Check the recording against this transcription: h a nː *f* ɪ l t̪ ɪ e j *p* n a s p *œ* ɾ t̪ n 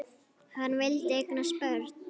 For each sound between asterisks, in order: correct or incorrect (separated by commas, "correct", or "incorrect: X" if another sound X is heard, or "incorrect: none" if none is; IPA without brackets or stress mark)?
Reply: incorrect: v, incorrect: k, correct